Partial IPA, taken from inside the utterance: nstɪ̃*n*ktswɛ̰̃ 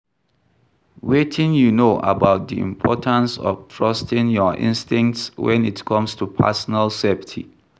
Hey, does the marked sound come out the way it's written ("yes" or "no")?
no